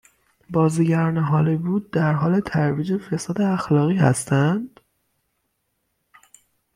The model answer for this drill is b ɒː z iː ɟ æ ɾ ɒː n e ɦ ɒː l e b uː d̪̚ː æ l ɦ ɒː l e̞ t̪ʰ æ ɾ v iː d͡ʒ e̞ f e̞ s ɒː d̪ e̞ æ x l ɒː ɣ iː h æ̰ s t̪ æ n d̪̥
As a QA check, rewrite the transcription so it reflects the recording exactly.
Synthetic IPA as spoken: b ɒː z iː ɟ æ ɾ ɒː n e ɦ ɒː l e b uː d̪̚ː æ ɾ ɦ ɒː l e̞ t̪ʰ æ ɾ v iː d͡ʒ e̞ f e̞ s ɒː d̪ e̞ æ x l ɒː ɣ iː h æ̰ s t̪ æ n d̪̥